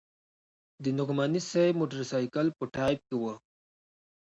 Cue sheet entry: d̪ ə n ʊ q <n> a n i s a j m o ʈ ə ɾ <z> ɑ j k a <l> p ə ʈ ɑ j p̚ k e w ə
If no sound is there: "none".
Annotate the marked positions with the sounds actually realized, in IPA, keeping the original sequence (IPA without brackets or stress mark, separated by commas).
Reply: m, s, l